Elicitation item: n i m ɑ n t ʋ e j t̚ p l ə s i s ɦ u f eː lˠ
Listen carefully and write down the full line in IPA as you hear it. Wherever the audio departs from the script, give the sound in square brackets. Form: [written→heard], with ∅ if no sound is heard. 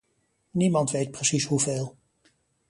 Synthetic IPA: n i m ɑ n t ʋ e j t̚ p [l→r] ə s i s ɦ u [f→v] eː lˠ